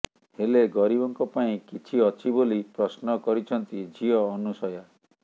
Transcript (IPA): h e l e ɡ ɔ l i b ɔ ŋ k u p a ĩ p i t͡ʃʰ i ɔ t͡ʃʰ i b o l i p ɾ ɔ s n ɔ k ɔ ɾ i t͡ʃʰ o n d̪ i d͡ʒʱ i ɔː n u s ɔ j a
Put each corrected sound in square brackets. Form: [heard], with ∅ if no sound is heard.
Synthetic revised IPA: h e l e ɡ ɔ [ɾ] i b ɔ ŋ k [ɔ] p a ĩ [k] i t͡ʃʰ i ɔ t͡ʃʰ i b o l i p ɾ ɔ s n ɔ k ɔ ɾ i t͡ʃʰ [ɔ] n [t̪] i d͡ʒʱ i ɔː n u s ɔ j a